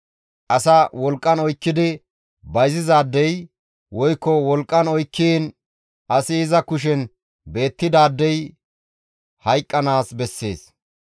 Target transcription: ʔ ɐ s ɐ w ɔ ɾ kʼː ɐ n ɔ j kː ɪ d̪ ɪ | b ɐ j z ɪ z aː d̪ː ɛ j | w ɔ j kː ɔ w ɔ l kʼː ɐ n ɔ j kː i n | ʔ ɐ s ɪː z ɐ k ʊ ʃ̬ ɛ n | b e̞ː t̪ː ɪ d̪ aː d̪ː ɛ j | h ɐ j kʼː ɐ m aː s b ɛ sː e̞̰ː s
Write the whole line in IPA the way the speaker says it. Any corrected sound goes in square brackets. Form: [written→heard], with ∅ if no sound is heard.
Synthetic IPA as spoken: ʔ ɐ s ɐ w ɔ [ɾ→l] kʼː ɐ n ɔ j kː ɪ d̪ ɪ | b ɐ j z ɪ z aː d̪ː ɛ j | w ɔ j kː ɔ w ɔ l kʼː ɐ n ɔ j kː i n | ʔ ɐ s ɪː z ɐ k ʊ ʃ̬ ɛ n | b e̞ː t̪ː ɪ d̪ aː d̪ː ɛ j | h ɐ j kʼː ɐ [m→n] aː s b ɛ sː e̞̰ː s